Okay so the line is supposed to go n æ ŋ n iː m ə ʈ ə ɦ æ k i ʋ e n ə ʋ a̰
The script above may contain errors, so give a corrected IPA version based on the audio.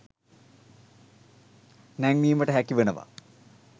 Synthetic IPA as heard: n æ ŋ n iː m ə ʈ ə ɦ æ k i ʋ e n ə ʋ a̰